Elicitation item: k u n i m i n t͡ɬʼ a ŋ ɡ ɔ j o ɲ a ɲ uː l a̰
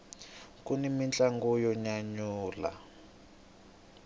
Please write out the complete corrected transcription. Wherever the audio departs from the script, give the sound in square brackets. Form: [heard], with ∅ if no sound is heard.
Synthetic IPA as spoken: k u n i m i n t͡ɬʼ a ŋ ɡ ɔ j [ɔ] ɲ a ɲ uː l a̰